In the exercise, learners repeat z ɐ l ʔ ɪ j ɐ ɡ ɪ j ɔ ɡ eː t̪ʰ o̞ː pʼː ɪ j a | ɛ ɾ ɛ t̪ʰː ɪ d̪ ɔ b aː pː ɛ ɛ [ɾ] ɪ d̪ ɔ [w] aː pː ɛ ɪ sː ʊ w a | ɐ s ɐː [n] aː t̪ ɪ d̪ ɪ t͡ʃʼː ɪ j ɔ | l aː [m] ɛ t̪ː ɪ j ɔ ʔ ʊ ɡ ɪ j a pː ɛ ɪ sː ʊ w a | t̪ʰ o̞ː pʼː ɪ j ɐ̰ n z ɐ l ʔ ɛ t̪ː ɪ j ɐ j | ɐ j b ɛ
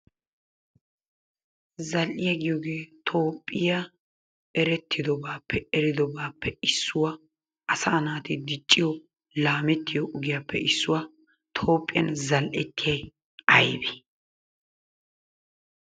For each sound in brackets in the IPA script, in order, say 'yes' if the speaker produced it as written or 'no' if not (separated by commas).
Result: yes, no, yes, yes